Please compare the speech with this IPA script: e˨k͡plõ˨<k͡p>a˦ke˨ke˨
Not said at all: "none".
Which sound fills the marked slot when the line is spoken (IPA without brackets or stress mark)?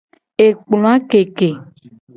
none